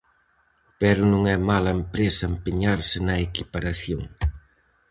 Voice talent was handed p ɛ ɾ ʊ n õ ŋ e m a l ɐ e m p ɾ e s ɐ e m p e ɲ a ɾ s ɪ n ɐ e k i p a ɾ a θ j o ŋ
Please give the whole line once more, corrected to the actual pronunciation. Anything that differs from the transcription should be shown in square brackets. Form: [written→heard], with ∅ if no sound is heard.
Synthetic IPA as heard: p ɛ ɾ ʊ n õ ŋ [e→ɛ] m a l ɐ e m p ɾ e s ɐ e m p e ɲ a ɾ s ɪ n ɐ e k i p a ɾ a θ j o ŋ

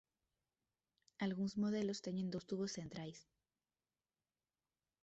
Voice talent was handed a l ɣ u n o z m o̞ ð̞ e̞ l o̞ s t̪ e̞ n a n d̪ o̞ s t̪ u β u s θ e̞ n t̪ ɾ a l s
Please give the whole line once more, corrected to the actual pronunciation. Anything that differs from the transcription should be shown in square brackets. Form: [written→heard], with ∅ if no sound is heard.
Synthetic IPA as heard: a l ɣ u n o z m o̞ ð̞ e̞ l o̞ s t̪ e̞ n [a→e] n d̪ o̞ s t̪ u β [u→o] s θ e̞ n t̪ ɾ a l s

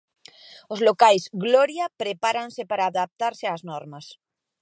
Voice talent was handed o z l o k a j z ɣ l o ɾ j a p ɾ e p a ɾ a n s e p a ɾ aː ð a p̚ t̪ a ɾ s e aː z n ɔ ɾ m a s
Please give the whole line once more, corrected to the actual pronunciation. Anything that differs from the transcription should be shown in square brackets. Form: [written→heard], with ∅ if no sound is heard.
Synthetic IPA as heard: o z l o k a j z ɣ l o ɾ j a p ɾ e p a ɾ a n s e p a ɾ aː ð a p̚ t̪ a ɾ s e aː z n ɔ ɾ m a s

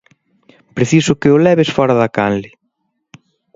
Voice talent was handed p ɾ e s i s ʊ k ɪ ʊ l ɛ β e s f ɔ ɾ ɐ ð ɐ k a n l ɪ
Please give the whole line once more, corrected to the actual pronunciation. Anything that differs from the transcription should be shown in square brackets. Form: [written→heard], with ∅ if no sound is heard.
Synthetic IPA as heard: p ɾ e [s→θ] i s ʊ k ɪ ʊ l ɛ β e s f ɔ ɾ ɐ ð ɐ k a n l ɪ

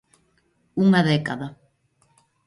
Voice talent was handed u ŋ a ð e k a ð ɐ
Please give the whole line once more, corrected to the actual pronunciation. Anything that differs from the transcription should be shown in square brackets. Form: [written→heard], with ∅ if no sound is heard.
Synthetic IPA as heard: u ŋ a ð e k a ð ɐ

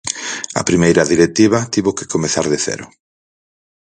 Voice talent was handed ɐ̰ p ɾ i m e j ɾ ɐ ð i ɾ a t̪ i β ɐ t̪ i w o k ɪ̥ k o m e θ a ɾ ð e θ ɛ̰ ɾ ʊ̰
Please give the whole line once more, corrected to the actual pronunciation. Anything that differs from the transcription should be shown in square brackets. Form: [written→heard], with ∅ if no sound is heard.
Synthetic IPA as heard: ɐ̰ p ɾ i m e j ɾ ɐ ð i ɾ [a→e] t̪ i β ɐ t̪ i [w→β] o k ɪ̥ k o m e θ a ɾ ð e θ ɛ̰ ɾ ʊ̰

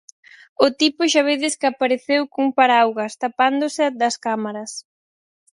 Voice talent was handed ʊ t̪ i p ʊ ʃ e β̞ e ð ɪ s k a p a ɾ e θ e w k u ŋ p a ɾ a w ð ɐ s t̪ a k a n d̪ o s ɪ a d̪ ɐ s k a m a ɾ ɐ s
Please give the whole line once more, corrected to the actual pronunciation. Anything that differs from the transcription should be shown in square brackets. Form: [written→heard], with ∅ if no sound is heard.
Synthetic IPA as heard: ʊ t̪ i p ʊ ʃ [e→a] β̞ e ð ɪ s k a p a ɾ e θ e w k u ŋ p a ɾ a w [ð→ɣ] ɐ s t̪ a [k→p] a n d̪ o s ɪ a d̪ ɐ s k a m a ɾ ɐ s

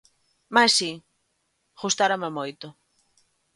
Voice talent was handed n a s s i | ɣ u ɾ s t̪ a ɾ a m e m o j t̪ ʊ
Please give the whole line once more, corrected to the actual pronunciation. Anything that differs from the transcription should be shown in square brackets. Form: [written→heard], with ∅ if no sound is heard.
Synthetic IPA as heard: [n→m] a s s i | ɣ u [ɾ→∅] s t̪ a ɾ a m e m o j t̪ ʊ

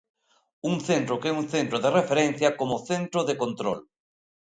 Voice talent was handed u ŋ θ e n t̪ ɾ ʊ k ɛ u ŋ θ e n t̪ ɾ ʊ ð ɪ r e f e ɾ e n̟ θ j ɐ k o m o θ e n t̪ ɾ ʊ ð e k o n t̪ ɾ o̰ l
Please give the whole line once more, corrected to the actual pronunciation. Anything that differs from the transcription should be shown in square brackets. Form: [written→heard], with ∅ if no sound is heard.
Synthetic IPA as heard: u ŋ θ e n t̪ ɾ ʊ k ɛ u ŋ θ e n t̪ ɾ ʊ ð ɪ r e f e ɾ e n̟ θ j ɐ k o m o θ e n t̪ ɾ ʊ ð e k o n t̪ ɾ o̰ l

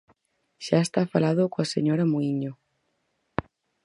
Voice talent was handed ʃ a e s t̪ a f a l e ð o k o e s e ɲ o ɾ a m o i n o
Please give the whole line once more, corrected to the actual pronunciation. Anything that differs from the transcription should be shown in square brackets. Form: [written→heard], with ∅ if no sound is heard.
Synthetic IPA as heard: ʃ a e s t̪ a f a l [e→a] ð o k o [e→a] s e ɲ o ɾ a m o i [n→ɲ] o

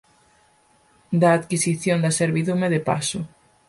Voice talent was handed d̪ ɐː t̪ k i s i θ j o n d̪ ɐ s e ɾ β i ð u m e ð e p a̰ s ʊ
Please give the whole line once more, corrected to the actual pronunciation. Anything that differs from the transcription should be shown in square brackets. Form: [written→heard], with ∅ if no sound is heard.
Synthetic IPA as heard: d̪ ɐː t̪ k i s i θ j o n d̪ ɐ s e ɾ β i ð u m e ð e p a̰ s ʊ

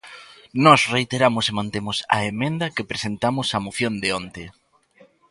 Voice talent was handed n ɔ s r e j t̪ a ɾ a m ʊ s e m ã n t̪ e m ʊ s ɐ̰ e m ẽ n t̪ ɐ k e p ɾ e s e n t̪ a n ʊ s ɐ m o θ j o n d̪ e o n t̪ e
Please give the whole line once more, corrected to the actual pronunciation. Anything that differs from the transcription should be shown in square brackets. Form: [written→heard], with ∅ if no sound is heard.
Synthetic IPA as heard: n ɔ s r e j t̪ [a→e] ɾ a m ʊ s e m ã n t̪ e m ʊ s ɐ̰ e m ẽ n [t̪→d̪] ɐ k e p ɾ e s e n t̪ a [n→m] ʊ s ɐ m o θ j o n d̪ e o n t̪ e

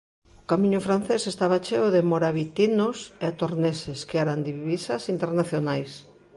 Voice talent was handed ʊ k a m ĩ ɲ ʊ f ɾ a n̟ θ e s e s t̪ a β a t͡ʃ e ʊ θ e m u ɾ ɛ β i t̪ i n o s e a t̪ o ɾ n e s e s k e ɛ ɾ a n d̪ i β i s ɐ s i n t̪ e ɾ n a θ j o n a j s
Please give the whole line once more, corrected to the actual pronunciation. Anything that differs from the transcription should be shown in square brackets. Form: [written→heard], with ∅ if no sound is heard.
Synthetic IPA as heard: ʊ k a m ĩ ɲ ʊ f ɾ a n̟ θ e s e s t̪ a β a t͡ʃ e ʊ [θ→ð] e m [u→o] ɾ [ɛ→a] β i t̪ i n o s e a t̪ o ɾ n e s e s k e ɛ ɾ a n d̪ i β i s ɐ s i n t̪ e ɾ n a θ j o n a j s

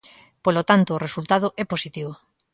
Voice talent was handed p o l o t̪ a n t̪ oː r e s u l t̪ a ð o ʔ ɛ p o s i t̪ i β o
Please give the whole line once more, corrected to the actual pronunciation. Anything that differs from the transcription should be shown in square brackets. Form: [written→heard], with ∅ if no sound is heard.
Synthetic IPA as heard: p o l o t̪ a n t̪ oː r e s u l t̪ a ð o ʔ ɛ p o s i t̪ i β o

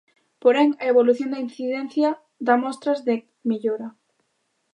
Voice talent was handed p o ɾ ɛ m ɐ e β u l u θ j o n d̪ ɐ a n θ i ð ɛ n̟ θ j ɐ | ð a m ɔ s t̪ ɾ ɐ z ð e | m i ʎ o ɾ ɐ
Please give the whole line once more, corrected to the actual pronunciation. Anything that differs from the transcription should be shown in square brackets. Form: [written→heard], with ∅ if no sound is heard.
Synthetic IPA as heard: p o ɾ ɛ [m→ŋ] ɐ e β [u→o] l u θ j o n d̪ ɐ [a→i] n θ i ð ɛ n̟ θ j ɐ | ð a m ɔ s t̪ ɾ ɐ z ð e | m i ʎ o ɾ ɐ

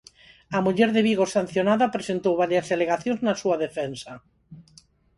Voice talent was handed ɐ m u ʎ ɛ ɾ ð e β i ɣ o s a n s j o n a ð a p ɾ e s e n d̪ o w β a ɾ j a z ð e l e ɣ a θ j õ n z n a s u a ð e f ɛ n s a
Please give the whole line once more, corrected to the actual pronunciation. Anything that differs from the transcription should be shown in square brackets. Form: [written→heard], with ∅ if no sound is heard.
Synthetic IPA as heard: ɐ m u ʎ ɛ ɾ ð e β i ɣ o s a n [s→θ] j o n a ð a p ɾ e s e n [d̪→t̪] o w β a ɾ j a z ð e l e ɣ a θ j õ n z n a s u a ð e f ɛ n s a

